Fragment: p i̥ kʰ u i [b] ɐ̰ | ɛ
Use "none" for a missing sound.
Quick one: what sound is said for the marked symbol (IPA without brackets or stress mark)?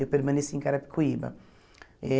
b